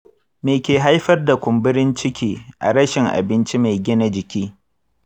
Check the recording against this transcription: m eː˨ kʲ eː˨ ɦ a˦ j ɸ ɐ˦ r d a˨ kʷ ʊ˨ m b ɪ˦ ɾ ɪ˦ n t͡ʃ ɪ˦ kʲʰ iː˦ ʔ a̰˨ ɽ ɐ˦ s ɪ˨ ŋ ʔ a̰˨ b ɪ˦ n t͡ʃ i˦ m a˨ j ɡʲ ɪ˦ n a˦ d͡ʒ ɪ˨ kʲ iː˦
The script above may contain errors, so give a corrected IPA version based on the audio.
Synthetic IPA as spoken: m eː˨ kʲ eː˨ ɦ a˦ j ɸ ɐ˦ r d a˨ kʷ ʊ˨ m b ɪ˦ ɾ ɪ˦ n t͡ʃ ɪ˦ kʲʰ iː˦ ʔ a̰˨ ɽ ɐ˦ ʃ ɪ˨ ŋ ʔ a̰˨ b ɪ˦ n t͡ʃ i˦ m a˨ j ɡʲ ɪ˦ n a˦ d͡ʒ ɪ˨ kʲ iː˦